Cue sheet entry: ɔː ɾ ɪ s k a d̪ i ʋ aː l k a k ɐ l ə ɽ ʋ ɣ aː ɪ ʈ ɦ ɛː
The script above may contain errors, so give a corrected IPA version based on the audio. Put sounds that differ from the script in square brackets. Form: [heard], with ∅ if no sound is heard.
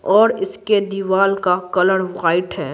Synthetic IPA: ɔː ɾ ɪ s k [e] d̪ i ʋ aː l k a k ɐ l ə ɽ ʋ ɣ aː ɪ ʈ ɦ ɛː